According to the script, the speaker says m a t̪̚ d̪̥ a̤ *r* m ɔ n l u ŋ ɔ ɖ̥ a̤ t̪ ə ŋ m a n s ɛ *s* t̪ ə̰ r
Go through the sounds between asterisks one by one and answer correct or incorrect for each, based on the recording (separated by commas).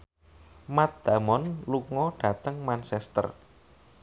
incorrect, correct